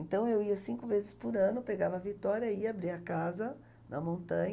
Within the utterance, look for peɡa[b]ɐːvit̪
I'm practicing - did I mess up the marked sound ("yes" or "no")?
yes